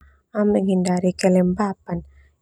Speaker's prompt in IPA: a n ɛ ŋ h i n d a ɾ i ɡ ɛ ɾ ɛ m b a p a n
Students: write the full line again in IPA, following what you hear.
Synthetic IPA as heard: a m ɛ ŋ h i n d a ɾ i k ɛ l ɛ m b a p a n